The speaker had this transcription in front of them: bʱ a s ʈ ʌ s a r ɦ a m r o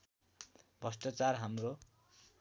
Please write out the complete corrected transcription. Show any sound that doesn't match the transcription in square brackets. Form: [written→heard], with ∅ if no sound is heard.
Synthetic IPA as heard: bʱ [a→ʌ] s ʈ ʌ [s→t͡s] a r ɦ a m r o